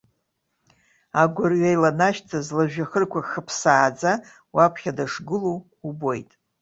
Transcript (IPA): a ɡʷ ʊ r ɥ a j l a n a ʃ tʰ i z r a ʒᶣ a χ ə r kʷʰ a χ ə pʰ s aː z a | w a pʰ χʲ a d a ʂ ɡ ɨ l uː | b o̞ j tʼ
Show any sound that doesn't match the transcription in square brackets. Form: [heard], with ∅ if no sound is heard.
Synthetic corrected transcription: a ɡʷ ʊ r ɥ a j l a n a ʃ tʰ [a] z [l] a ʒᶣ a χ ə r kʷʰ a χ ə pʰ s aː [d͡z] a | w a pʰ χʲ a d a ʂ ɡ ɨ l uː | b o̞ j tʼ